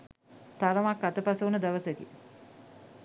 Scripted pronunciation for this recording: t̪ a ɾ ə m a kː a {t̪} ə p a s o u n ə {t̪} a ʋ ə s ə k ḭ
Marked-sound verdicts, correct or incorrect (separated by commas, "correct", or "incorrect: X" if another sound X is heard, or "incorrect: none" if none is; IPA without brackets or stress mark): correct, incorrect: d̪